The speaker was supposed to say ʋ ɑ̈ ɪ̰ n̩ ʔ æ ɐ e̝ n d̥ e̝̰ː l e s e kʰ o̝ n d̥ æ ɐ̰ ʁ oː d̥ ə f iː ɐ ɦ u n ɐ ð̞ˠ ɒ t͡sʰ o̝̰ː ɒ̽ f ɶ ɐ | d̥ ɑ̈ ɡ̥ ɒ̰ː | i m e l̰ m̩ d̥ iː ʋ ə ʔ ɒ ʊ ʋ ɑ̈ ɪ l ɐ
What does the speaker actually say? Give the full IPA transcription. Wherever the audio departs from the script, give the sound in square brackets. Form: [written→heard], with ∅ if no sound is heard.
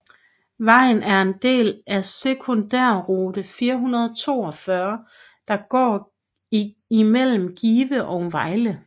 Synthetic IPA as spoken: ʋ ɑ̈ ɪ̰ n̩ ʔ æ ɐ e̝ n d̥ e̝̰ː l [e→æ] s e kʰ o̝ n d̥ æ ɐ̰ ʁ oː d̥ ə f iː ɐ ɦ u n ɐ ð̞ˠ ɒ t͡sʰ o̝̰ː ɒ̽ f ɶ ɐ | d̥ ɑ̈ ɡ̥ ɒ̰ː | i m e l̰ m̩ [d̥→ɡ̥] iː ʋ ə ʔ ɒ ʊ ʋ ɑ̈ ɪ l [ɐ→ə]